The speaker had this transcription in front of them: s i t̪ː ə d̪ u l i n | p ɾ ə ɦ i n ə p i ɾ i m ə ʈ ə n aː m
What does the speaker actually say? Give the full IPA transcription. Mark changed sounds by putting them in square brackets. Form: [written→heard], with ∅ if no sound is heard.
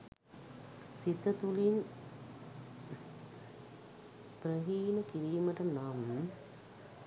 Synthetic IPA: s i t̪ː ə [d̪→t̪] u l i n | p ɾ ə ɦ [i→iː] n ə [p→k] i ɾ [i→iː] m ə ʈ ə n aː m